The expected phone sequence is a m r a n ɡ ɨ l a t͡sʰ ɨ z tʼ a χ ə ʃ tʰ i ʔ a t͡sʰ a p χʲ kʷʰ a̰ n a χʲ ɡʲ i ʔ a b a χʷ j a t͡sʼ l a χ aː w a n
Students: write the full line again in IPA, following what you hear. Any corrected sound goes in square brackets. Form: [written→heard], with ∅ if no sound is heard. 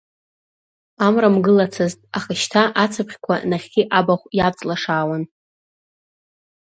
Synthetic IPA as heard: a m r a [n→m] ɡ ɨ l a t͡sʰ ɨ z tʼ a χ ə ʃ tʰ [i→a] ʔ a t͡sʰ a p χʲ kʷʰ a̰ n a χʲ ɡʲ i ʔ a b a χʷ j a t͡sʼ l a [χ→ʂ] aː w a n